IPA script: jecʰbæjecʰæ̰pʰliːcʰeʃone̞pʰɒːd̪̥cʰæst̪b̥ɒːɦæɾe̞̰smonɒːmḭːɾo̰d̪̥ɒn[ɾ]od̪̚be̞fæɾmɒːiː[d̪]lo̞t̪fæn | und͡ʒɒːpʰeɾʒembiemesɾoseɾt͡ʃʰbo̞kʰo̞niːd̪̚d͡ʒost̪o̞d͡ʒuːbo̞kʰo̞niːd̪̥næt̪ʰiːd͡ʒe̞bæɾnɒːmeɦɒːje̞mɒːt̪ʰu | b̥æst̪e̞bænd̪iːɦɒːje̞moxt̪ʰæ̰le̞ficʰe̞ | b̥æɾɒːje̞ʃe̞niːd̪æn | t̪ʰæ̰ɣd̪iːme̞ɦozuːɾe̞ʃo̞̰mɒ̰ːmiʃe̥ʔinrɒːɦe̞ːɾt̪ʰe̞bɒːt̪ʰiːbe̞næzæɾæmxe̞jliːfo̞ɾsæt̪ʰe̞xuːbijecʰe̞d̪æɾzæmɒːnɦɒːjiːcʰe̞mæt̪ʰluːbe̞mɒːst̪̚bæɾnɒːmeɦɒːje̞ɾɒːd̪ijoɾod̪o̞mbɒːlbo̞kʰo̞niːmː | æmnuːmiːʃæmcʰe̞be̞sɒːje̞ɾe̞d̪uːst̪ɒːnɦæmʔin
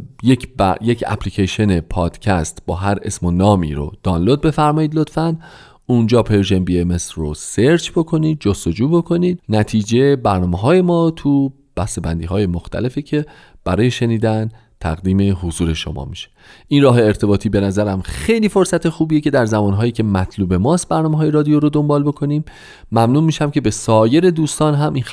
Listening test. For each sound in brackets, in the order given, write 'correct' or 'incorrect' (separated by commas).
incorrect, correct